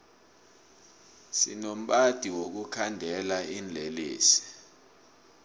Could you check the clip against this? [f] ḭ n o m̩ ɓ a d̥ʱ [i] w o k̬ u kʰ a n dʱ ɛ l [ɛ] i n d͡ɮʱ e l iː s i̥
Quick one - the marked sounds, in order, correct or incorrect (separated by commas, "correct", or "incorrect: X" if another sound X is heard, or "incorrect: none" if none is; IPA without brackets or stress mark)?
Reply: incorrect: s, correct, incorrect: a